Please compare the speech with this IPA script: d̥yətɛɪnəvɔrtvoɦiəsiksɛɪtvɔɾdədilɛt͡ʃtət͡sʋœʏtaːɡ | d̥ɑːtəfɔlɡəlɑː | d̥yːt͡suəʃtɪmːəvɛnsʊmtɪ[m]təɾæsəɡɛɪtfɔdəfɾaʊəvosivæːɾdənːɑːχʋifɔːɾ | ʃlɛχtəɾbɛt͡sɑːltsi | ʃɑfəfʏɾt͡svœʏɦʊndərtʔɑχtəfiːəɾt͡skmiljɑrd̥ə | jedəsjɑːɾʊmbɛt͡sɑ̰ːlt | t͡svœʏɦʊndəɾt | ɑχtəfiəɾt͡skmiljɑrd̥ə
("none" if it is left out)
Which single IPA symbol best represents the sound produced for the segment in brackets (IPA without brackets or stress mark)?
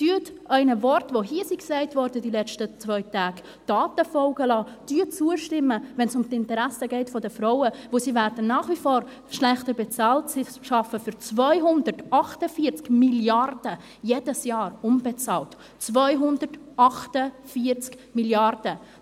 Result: n